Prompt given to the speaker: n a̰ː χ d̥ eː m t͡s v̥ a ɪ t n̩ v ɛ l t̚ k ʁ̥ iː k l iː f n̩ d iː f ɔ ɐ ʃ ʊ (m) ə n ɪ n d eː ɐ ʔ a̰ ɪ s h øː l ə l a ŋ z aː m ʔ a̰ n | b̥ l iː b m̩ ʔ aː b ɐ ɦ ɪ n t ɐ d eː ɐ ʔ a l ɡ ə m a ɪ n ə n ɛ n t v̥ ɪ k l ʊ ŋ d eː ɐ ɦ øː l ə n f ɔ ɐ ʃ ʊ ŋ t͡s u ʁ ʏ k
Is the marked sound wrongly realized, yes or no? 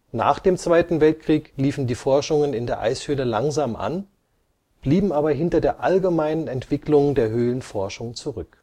yes